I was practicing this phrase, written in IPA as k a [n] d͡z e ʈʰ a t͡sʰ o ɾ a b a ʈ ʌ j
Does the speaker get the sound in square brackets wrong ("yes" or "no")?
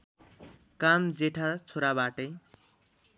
yes